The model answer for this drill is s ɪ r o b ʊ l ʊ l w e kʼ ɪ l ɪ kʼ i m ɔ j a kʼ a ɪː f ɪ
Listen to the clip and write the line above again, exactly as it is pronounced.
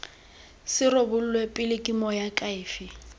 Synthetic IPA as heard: s ɪ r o b ʊ l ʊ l w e pʼ ɪ l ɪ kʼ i m ɔ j a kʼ a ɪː f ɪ